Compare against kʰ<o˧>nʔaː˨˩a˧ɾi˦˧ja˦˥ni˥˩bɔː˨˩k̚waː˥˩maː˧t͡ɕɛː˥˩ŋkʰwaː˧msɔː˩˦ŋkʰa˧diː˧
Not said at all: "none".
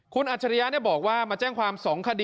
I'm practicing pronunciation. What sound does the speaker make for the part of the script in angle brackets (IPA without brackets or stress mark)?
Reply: u˧